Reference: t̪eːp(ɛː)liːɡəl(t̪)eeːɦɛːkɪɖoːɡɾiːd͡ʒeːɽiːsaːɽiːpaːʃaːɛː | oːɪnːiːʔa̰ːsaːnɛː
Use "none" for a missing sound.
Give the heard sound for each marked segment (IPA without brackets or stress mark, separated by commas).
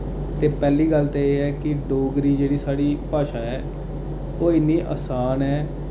ɛː, t̪